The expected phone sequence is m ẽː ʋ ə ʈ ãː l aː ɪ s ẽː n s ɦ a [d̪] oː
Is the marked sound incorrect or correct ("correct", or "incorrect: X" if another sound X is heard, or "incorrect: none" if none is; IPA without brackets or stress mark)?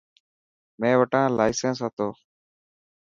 incorrect: t̪